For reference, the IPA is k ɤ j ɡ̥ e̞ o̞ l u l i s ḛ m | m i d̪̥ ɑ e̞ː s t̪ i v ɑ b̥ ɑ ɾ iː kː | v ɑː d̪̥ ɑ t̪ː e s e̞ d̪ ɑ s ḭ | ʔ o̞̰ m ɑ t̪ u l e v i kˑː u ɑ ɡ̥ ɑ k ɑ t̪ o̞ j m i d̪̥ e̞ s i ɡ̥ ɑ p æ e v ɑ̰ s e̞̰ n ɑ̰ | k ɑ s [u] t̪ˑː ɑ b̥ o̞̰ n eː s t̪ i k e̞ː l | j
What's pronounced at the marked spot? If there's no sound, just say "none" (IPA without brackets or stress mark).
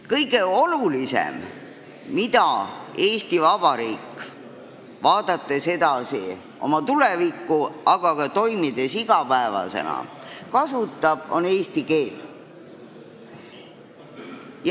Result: u